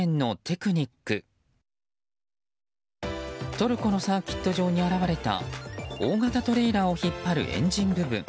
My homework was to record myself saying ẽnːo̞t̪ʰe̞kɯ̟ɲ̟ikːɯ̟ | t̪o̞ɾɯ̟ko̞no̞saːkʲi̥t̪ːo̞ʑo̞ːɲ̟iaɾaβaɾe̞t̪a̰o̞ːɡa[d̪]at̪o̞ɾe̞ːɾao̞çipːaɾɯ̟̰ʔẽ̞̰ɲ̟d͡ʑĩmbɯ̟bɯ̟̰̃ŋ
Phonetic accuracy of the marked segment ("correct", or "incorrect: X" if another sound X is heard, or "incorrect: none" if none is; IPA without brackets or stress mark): incorrect: t̪